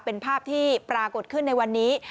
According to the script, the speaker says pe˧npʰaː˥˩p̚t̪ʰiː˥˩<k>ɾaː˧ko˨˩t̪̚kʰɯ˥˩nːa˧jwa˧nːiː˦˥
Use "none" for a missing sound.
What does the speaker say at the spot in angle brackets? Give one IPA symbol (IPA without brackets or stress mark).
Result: p